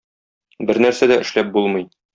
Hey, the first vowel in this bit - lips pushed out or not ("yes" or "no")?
no